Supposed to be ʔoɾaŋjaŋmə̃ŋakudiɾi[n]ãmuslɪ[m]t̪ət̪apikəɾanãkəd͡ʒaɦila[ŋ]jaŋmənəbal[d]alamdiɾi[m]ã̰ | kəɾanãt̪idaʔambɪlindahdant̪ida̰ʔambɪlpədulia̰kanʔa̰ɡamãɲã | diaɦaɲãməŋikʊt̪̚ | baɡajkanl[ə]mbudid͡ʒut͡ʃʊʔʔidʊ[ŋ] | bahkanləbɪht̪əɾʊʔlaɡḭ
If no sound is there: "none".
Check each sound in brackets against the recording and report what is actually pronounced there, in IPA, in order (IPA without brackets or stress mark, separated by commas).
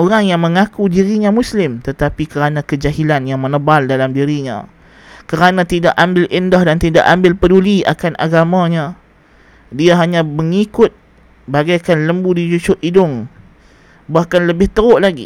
ɲ, m, n, d, ɲ, ə, ŋ